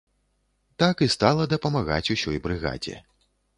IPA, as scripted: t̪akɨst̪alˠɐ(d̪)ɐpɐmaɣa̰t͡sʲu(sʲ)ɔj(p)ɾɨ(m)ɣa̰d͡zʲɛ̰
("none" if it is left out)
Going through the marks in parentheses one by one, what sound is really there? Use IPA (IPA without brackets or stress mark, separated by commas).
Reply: d̪, sʲ, b, none